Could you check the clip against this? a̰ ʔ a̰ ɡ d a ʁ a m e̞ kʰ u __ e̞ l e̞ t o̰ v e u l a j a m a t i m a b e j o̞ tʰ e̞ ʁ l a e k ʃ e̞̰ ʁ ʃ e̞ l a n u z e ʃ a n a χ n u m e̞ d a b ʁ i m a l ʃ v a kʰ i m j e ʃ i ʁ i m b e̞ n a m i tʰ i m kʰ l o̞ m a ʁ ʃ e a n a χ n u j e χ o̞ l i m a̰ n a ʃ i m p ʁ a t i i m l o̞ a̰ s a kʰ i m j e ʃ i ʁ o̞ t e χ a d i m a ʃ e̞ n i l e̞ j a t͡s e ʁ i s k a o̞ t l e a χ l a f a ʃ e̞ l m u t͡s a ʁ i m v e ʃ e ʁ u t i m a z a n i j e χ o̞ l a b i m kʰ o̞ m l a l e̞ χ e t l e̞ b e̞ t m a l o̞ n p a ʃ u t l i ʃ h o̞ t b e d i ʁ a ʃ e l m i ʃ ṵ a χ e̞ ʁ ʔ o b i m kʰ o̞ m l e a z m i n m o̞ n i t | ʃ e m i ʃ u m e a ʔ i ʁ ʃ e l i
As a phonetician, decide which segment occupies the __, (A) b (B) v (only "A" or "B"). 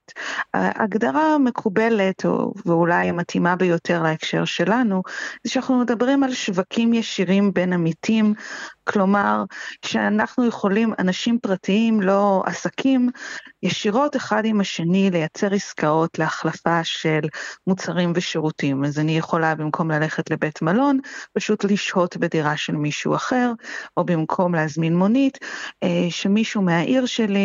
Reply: A